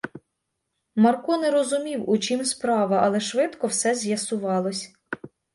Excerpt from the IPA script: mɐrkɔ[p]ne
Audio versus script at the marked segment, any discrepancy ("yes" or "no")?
yes